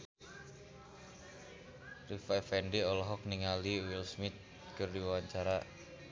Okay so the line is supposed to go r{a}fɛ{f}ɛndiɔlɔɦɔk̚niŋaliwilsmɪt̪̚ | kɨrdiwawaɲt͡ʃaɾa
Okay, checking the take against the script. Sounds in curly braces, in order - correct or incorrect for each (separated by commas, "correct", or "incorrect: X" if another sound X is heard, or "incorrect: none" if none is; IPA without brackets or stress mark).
incorrect: i, correct